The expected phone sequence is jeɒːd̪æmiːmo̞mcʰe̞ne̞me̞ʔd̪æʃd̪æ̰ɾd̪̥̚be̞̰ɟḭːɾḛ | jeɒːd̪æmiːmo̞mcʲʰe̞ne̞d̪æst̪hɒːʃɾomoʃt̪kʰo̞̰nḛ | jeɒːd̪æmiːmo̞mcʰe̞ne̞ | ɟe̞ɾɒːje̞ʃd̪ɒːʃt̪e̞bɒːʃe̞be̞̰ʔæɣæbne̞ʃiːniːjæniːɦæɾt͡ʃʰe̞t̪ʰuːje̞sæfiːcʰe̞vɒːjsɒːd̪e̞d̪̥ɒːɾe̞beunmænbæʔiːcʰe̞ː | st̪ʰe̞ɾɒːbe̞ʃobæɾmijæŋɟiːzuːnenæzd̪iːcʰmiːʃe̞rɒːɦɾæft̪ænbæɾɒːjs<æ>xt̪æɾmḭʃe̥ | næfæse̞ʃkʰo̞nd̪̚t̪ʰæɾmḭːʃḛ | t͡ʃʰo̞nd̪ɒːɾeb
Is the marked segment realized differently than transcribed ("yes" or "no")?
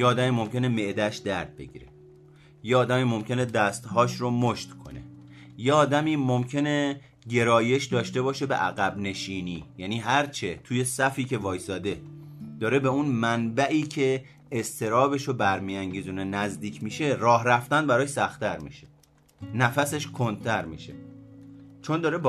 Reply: no